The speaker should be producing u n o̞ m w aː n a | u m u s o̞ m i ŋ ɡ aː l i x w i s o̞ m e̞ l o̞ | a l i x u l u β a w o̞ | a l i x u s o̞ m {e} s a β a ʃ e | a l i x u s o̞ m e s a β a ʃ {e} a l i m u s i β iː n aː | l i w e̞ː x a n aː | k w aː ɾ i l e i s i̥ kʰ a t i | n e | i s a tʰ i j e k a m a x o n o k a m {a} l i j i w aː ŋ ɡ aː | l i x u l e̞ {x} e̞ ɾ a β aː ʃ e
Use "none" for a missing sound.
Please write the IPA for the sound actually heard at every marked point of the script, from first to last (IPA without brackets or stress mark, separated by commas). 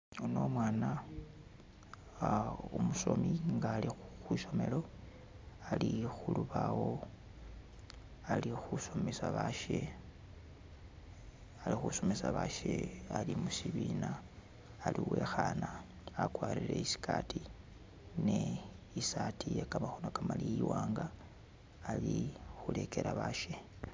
e, e, a, k